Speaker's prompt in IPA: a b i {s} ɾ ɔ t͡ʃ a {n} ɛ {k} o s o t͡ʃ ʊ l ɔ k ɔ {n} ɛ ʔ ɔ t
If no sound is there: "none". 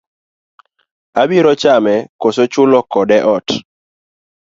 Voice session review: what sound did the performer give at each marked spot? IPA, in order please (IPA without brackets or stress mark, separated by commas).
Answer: none, m, k, d